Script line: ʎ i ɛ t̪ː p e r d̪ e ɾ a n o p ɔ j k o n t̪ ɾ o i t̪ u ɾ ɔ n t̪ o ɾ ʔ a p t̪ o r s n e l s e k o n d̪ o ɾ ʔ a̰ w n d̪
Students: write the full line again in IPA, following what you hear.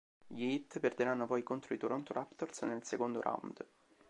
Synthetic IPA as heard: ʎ i i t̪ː p e r d̪ e ɾ a nː o p ɔ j k o n t̪ ɾ o i t̪ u ɾ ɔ n t̪ o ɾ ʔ a p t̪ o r s n e l s e k o n d̪ o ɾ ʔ a̰ w n d̪